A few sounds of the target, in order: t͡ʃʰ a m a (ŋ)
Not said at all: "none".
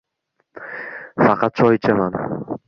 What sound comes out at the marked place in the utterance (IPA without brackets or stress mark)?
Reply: n